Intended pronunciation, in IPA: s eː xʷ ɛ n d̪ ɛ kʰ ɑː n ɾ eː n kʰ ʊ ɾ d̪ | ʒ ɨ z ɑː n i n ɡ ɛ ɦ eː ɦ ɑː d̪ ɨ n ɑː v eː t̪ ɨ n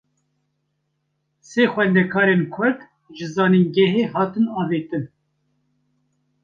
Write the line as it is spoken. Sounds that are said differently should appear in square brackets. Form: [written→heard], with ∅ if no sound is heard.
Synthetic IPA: s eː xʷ ɛ n d̪ ɛ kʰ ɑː [n→∅] ɾ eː n kʰ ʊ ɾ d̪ | ʒ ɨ z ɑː n i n ɡ ɛ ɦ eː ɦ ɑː [d̪→t̪] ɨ n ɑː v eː t̪ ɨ n